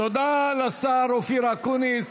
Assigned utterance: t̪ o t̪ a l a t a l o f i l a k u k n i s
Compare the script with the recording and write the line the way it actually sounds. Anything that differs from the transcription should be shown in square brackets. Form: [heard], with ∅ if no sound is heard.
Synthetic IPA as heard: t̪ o [d̪] a l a [s] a [ɾ] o f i [ɾ] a k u [∅] n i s